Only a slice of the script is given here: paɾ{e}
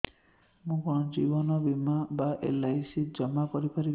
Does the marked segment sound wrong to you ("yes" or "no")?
yes